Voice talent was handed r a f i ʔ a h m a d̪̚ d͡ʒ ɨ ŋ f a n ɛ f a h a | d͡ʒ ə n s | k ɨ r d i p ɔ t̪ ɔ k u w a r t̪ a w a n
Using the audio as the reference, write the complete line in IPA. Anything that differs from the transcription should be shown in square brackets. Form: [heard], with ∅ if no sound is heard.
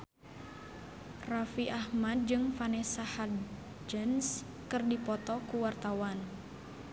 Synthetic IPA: r a f i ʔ a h m a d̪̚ d͡ʒ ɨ ŋ f a n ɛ [s] a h a | d͡ʒ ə n s | k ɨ r d i p ɔ t̪ ɔ k u w a r t̪ a w a n